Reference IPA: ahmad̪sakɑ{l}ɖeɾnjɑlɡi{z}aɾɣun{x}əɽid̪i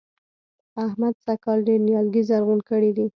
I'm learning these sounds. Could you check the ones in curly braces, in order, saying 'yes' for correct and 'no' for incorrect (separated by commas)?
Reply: yes, yes, no